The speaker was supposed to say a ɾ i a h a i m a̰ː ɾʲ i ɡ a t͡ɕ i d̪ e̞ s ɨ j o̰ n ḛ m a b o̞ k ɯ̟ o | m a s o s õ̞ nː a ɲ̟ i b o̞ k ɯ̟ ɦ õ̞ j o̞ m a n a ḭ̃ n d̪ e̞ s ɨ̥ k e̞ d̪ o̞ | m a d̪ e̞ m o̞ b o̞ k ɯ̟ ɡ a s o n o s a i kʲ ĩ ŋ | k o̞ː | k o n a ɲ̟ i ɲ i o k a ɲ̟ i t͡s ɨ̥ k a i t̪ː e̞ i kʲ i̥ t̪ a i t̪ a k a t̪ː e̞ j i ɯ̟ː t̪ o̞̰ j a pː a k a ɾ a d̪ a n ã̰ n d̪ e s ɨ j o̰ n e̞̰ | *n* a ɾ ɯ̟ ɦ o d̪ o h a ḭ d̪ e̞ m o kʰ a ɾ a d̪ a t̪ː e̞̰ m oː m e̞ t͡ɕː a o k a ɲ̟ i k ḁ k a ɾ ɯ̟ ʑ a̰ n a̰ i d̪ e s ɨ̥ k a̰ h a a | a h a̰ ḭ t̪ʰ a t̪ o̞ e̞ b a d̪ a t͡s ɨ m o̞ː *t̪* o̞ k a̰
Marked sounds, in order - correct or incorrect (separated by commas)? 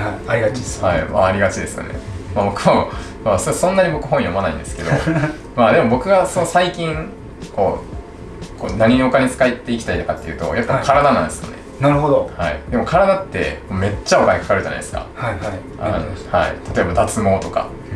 correct, correct